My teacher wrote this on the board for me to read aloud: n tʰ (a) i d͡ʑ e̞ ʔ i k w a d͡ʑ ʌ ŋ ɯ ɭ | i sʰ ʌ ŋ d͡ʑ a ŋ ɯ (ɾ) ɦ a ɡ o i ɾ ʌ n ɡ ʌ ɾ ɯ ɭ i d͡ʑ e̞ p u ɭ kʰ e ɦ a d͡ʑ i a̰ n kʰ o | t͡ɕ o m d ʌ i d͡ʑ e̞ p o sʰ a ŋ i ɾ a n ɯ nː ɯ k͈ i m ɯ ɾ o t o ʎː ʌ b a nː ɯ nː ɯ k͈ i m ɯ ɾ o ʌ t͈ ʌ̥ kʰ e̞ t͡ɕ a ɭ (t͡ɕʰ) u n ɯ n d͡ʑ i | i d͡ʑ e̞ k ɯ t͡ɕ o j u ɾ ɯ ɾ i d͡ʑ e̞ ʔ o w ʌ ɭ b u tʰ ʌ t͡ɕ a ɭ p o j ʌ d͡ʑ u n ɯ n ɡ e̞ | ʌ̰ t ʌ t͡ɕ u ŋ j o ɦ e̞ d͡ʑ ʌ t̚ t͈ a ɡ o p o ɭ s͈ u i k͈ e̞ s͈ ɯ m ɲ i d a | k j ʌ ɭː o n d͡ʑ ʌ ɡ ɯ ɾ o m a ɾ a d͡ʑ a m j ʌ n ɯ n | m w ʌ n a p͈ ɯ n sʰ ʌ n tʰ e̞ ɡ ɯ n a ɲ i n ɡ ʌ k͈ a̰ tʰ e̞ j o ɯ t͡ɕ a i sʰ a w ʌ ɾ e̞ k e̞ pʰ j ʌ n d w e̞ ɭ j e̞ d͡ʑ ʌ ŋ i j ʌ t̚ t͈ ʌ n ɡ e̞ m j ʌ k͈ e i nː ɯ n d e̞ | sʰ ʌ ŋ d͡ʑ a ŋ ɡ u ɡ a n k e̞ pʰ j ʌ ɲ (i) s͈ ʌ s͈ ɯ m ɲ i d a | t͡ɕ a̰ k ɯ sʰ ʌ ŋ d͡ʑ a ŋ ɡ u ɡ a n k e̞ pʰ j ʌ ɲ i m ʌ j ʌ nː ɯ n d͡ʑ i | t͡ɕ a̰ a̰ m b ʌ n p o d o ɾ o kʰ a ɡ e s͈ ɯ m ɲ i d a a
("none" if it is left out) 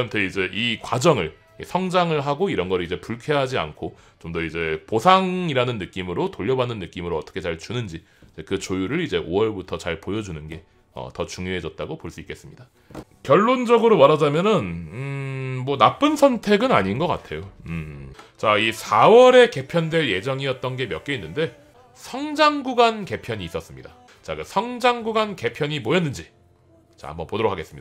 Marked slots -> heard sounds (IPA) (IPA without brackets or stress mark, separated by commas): e, ɭ, t͡ɕ, iː